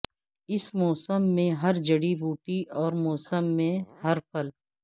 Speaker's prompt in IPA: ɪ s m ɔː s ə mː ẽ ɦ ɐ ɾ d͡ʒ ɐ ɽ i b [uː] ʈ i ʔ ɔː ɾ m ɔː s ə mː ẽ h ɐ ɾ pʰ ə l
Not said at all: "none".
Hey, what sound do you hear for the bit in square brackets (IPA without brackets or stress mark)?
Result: uː